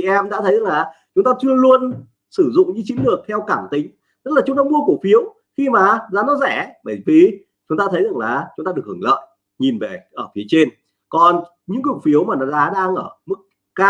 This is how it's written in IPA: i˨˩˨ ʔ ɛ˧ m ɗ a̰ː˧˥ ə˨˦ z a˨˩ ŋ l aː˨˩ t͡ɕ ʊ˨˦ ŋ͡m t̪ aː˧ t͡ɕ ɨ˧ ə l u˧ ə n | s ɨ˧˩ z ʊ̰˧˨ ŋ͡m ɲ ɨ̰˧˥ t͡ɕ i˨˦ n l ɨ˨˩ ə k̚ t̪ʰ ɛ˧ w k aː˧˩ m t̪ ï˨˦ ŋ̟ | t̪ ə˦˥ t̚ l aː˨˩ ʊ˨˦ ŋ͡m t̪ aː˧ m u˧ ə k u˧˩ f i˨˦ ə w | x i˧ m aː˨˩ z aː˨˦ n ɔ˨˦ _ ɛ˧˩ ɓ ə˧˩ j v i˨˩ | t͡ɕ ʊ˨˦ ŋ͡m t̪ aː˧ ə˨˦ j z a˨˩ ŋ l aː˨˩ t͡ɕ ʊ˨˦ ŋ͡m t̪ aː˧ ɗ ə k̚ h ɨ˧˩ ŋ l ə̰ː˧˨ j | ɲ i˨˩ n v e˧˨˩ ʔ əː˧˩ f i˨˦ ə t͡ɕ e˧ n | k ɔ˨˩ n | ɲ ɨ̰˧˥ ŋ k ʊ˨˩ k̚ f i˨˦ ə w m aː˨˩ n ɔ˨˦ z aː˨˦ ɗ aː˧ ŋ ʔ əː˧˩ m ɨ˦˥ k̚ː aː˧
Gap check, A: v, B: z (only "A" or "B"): B